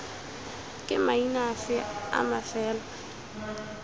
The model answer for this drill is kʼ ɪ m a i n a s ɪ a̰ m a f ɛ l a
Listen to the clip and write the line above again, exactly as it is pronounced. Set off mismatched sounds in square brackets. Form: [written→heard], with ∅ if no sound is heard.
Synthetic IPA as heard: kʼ ɪ m a i n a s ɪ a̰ m a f [ɛ→ɛː] l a